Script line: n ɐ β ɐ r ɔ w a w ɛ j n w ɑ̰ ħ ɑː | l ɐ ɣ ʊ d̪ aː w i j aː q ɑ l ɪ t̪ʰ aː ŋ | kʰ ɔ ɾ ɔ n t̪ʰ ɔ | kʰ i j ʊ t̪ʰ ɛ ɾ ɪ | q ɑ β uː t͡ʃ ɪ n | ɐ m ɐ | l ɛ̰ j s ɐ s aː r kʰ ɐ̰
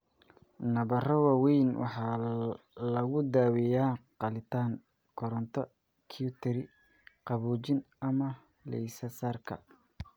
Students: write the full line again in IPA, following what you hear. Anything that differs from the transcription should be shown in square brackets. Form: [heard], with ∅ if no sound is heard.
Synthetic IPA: n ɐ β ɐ r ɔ w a w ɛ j n w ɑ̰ ħ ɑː | l ɐ ɣ ʊ d̪ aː w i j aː q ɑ l ɪ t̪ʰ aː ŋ | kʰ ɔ ɾ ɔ n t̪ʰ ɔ | kʰ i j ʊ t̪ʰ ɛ ɾ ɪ | q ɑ β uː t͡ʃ ɪ n | ɐ m ɐ | l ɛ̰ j s ɐ s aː r kʰ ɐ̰